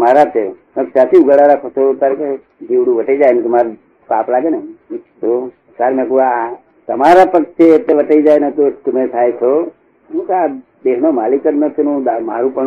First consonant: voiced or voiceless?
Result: voiced